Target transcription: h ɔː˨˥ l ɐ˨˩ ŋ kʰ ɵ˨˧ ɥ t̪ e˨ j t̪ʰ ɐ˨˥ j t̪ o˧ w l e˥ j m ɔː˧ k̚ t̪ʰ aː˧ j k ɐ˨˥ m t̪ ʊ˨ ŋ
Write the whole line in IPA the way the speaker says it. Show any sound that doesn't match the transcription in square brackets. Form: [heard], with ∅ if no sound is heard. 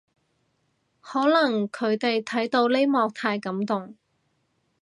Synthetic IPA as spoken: h ɔː˨˥ l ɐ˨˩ ŋ kʰ ɵ˨˧ ɥ t̪ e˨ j t̪ʰ ɐ˨˥ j t̪ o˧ w l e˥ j m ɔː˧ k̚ t̪ʰ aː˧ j k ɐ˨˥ m t̪ ʊ˨ ŋ